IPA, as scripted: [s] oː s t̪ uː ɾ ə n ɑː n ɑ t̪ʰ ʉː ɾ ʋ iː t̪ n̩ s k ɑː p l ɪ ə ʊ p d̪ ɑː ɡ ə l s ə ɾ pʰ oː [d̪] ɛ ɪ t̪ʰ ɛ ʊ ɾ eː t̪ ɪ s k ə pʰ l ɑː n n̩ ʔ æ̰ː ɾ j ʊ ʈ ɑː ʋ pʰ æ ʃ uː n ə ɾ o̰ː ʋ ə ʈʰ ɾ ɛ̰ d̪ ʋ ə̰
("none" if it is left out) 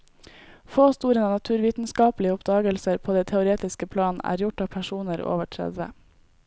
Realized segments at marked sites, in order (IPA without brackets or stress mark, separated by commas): f, d̪